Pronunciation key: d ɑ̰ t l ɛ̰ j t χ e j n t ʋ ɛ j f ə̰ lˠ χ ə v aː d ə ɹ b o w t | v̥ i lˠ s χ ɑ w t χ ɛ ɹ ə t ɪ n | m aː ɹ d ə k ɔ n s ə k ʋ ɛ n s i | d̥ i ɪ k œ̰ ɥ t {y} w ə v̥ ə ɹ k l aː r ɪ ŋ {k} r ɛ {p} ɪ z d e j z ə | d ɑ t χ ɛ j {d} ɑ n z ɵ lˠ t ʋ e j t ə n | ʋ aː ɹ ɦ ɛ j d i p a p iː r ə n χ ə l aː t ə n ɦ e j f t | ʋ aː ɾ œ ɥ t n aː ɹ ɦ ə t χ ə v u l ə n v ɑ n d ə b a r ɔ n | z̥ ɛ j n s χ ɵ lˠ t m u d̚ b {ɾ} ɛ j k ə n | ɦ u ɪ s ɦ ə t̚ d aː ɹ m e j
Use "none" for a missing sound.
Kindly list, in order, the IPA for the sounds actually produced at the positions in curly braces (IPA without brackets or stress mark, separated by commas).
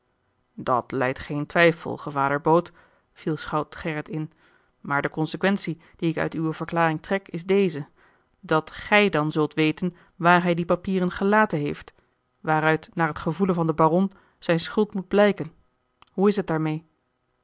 y, t, k, d, l